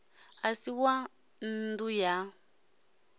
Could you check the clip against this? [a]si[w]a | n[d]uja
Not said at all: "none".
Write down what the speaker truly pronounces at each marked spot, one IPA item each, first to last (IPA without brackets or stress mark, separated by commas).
a, w, d